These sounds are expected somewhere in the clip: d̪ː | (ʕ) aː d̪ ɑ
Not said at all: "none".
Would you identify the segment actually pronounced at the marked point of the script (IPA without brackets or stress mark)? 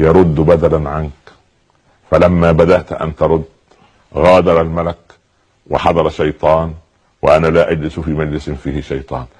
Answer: ɣ